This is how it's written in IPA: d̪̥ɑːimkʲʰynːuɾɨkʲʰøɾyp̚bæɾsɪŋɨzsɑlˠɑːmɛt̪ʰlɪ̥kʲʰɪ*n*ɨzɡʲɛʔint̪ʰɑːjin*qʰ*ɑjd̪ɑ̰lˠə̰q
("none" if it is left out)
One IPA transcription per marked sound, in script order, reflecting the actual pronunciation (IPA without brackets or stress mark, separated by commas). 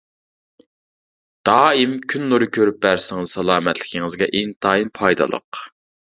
ŋ, pʰ